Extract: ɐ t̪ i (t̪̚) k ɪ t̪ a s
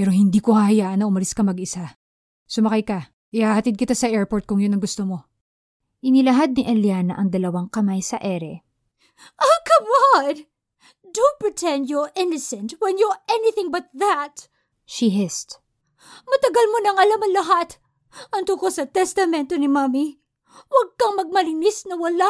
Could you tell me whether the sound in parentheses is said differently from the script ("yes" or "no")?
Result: yes